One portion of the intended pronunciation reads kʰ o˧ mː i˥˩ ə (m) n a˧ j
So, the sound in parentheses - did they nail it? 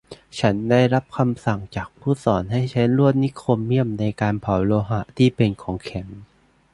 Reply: yes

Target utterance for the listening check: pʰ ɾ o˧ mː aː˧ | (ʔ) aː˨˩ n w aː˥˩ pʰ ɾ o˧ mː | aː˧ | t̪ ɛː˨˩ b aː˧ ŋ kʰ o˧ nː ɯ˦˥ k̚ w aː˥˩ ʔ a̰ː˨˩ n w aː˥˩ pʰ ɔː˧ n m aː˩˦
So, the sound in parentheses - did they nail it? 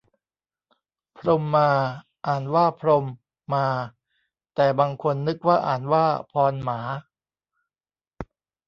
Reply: yes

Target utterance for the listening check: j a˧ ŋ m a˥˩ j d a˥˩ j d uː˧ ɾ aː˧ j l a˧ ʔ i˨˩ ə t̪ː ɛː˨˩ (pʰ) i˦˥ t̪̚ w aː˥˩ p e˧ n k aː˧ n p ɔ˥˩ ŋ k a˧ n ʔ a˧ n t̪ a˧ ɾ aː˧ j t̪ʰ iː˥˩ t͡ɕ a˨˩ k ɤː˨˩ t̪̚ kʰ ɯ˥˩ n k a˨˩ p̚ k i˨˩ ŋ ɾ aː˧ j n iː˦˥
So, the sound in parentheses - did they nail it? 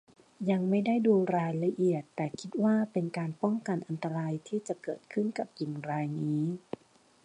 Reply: no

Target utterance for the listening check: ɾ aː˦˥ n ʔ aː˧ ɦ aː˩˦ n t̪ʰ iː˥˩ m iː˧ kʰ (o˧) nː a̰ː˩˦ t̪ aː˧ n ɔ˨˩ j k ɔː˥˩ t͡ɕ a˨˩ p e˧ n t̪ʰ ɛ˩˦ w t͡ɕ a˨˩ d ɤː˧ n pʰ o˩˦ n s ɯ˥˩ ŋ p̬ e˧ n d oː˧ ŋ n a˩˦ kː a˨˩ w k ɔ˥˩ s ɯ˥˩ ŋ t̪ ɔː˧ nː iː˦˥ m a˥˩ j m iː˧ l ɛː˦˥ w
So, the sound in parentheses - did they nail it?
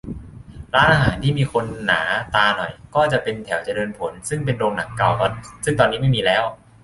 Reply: yes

